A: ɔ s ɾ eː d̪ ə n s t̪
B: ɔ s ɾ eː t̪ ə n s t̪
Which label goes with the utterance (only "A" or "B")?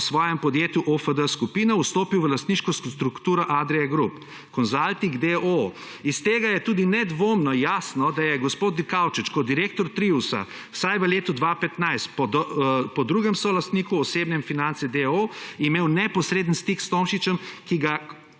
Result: A